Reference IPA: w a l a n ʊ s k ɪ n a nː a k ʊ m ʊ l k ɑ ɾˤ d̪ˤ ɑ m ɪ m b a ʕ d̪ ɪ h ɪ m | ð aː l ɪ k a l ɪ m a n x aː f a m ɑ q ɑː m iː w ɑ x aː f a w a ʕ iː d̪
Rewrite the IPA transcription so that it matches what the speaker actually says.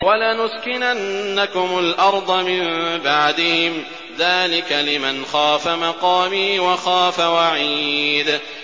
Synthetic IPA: w a l a n ʊ s k ɪ n a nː a k ʊ m ʊ l ʔ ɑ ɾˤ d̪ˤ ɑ m ɪ m b a ʕ d̪ ɪ h ɪ m | ð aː l ɪ k a l ɪ m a n x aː f a m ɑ q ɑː m iː w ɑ x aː f a w a ʕ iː d̪

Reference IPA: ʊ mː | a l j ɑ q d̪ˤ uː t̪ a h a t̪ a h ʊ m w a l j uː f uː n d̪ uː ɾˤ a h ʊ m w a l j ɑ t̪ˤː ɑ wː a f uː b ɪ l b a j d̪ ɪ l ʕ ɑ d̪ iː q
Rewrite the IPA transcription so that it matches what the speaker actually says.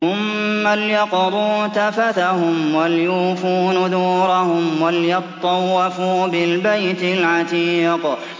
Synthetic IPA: ʊ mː | a l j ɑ q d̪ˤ uː t̪ a f a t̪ a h ʊ m w a l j uː f uː n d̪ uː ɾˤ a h ʊ m w a l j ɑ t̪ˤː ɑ wː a f uː b ɪ l b a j t̪ ɪ l ʕ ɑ t̪ iː q

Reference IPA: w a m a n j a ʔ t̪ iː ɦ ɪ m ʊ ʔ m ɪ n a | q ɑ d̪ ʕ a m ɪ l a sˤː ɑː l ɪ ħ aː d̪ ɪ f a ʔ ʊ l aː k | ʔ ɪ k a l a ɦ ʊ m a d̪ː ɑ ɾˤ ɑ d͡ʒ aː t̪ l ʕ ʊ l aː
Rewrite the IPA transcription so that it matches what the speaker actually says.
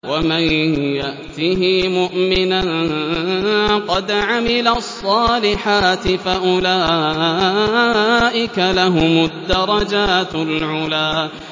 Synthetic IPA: w a m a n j a ʔ t̪ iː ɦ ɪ m ʊ ʔ m ɪ n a | q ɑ d̪ ʕ a m ɪ l a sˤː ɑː l ɪ ħ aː t̪ ɪ f a ʔ ʊ l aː | ʔ ɪ k a l a ɦ ʊ m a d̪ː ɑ ɾˤ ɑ d͡ʒ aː t̪ l ʕ ʊ l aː

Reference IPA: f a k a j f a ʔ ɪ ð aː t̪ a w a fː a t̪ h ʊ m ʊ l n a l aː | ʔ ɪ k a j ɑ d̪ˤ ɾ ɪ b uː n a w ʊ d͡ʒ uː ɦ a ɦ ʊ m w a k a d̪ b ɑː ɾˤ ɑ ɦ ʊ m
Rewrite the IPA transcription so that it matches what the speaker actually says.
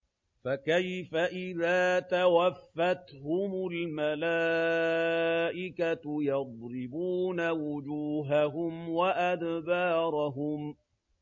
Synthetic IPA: f a k a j f a ʔ ɪ ð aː t̪ a w a fː a t̪ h ʊ m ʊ l m a l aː | ʔ ɪ k a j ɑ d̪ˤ ɾ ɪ b uː n a w ʊ d͡ʒ uː ɦ a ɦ ʊ m w a ʔ a d̪ b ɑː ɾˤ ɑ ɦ ʊ m

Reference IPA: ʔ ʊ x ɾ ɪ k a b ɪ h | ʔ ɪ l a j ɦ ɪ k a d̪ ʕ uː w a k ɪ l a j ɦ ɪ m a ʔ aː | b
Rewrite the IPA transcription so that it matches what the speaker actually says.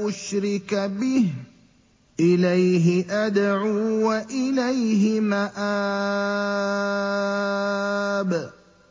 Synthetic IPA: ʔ ʊ ʃ ɾ ɪ k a b ɪ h | ʔ ɪ l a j ɦ ɪ ʔ a d̪ ʕ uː w a ʔ ɪ l a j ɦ ɪ m a ʔ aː | b

